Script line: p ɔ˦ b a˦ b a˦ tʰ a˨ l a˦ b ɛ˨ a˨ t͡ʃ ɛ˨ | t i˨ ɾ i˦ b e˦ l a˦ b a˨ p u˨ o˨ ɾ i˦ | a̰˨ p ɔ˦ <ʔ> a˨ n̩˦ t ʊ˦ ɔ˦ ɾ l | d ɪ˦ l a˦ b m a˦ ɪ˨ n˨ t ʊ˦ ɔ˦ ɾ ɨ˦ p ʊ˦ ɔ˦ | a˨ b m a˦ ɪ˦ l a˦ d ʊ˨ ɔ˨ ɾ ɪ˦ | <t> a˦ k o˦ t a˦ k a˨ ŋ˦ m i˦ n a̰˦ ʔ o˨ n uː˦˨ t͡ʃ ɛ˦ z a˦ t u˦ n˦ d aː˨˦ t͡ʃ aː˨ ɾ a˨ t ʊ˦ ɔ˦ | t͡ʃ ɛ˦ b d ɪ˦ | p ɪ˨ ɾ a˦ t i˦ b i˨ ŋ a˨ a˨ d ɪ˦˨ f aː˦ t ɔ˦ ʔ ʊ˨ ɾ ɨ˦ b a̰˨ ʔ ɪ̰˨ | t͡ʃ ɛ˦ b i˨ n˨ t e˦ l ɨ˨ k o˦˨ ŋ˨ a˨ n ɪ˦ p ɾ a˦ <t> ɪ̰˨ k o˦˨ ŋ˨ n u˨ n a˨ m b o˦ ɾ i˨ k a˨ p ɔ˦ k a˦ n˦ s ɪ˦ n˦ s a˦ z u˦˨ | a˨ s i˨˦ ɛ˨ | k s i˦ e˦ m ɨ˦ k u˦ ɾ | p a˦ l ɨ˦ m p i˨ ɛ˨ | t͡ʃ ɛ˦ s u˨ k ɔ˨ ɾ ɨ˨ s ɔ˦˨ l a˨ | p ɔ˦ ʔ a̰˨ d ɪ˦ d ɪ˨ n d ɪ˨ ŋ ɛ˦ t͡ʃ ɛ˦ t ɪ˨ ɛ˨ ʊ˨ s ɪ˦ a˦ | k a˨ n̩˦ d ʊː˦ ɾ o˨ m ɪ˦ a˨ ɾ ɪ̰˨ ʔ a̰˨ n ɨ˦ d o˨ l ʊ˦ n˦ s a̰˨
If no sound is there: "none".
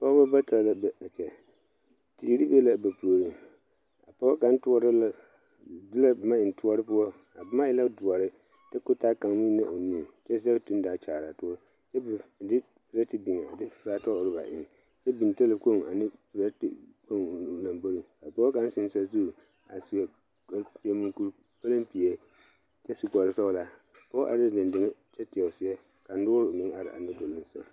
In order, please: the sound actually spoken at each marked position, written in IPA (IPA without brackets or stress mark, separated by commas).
k, t, t